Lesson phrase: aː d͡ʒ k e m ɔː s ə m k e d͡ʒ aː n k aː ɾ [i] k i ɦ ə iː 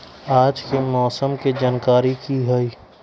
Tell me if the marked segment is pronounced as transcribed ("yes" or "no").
yes